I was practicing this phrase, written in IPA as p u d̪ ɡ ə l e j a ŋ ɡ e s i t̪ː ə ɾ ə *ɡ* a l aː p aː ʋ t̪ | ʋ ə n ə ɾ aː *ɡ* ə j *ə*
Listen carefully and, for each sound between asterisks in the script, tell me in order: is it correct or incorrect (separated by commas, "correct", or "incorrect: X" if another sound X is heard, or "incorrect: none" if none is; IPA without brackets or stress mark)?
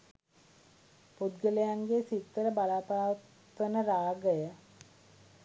incorrect: b, correct, correct